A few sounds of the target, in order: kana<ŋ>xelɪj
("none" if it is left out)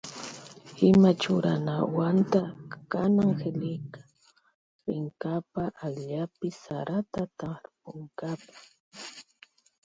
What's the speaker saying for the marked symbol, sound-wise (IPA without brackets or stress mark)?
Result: ŋ